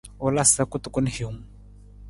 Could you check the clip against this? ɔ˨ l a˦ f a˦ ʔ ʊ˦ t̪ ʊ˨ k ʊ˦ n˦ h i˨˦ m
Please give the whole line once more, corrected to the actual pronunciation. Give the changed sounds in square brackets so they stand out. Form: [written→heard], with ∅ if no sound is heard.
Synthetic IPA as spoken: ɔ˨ l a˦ [f→s] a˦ [ʔ→k] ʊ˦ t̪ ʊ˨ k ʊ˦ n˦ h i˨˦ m